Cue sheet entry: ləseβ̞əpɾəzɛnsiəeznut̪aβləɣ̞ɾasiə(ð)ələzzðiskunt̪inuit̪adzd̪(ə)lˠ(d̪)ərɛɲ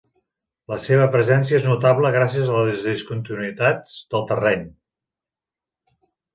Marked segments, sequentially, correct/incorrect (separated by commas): incorrect, correct, incorrect